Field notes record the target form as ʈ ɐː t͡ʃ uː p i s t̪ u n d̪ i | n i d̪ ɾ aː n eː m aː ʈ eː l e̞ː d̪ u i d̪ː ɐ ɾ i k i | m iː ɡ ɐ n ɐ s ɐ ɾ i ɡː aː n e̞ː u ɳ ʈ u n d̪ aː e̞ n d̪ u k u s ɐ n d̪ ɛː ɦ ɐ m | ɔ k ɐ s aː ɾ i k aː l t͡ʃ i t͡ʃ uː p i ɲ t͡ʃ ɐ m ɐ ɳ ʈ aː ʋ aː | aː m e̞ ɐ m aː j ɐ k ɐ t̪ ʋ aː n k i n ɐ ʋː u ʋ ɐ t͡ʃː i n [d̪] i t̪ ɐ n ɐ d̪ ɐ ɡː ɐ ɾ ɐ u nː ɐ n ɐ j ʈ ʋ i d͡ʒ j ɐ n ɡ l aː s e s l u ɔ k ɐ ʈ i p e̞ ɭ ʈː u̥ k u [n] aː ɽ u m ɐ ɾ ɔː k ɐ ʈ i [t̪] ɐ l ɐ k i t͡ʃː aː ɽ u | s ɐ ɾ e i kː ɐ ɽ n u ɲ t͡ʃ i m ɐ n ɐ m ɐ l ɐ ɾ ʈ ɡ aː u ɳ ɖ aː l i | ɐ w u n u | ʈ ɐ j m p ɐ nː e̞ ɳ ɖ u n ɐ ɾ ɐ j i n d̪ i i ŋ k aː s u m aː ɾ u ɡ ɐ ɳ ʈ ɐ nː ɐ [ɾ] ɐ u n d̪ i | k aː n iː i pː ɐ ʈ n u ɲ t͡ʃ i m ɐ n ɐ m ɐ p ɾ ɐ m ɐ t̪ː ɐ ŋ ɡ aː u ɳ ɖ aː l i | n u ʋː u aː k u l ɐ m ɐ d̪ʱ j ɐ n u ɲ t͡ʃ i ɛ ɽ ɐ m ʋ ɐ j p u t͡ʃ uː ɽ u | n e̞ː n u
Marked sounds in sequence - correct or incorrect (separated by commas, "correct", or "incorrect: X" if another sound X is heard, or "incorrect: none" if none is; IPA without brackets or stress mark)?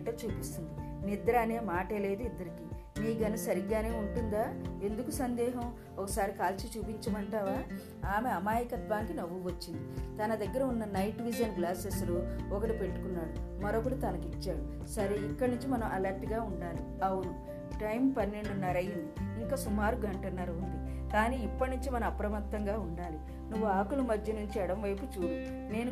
correct, incorrect: nː, correct, correct